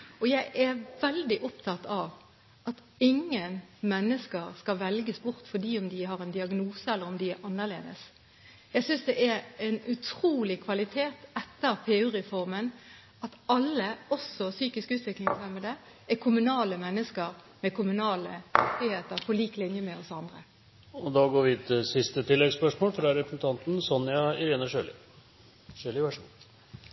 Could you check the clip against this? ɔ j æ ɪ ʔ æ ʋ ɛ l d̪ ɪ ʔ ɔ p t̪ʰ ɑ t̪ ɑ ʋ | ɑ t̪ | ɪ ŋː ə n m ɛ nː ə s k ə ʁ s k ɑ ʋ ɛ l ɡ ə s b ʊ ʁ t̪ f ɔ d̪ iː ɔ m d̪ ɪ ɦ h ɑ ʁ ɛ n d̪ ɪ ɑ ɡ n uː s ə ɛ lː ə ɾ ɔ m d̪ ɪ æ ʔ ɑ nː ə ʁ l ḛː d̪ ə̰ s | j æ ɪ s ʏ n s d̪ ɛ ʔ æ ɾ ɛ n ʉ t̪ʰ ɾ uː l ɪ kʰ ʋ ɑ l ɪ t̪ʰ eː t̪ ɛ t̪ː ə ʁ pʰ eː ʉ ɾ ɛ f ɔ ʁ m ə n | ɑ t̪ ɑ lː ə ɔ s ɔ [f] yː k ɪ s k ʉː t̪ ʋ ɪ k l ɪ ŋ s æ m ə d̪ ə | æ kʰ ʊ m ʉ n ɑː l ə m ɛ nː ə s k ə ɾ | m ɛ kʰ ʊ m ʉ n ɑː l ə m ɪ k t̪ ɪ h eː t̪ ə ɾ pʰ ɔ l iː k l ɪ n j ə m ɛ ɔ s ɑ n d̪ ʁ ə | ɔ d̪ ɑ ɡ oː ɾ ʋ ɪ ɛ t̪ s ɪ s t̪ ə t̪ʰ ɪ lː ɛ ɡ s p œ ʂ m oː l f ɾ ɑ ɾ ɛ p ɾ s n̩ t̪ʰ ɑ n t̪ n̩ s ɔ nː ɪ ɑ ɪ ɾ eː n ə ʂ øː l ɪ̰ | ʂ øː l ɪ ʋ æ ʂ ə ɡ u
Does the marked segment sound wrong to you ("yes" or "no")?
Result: yes